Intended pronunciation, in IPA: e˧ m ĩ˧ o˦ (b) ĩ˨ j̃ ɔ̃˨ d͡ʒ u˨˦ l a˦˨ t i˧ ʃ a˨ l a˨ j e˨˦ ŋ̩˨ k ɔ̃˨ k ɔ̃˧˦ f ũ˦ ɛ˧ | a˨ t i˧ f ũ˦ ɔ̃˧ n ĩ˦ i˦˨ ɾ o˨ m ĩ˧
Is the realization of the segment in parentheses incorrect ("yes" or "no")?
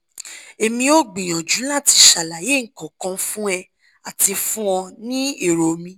yes